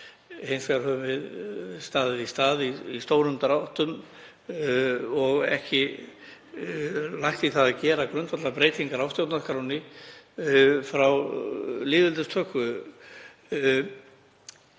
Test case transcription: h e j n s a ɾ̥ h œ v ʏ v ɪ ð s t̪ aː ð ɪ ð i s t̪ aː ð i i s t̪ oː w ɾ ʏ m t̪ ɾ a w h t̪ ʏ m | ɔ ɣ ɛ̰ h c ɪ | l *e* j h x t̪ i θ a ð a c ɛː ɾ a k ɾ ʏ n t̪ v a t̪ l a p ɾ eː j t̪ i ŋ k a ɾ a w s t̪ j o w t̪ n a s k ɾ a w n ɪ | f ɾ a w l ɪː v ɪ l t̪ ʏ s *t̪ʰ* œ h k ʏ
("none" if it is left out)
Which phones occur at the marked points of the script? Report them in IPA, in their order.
a, t̪ʰ

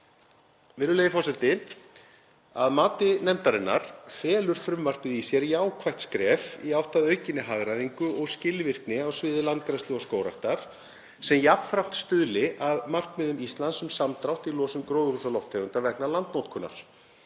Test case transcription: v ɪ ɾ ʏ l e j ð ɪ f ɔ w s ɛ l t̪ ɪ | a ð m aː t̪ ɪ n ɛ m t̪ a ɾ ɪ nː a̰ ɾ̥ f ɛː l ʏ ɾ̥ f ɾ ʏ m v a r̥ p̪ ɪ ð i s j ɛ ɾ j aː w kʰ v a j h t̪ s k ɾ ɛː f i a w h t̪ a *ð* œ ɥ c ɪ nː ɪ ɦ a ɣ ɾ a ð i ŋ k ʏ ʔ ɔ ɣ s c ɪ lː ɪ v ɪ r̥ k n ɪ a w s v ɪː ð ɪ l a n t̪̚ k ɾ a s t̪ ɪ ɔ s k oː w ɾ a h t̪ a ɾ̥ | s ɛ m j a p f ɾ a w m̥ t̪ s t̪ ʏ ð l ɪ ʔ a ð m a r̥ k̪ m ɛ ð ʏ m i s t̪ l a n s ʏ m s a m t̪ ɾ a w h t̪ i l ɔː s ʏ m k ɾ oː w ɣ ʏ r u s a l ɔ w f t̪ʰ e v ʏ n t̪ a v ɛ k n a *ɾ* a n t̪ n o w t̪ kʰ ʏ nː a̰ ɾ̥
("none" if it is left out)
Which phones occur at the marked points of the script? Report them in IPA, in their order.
ð, l

